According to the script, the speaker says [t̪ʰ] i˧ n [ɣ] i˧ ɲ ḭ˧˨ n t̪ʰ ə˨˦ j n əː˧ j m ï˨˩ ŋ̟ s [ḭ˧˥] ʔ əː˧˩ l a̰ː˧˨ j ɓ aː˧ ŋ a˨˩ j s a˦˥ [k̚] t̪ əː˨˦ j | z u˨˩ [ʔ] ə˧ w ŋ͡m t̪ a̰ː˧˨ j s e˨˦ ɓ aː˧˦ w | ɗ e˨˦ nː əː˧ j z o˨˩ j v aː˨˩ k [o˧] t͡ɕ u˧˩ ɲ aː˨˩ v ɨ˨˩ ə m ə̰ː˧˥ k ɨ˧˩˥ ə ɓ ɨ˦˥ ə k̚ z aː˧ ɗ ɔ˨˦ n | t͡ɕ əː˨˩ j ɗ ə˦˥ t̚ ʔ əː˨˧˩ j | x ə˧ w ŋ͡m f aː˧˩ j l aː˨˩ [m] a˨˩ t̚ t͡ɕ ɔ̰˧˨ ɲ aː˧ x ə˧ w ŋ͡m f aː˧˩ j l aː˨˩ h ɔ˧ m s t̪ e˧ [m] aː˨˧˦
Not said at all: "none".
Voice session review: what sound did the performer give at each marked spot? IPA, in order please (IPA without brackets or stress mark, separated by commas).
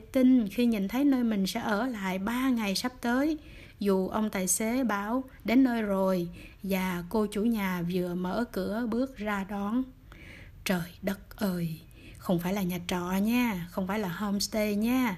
t̪, x, ɛ̰˧˥, p̚, ʔ, o˧, ɲ, ɲ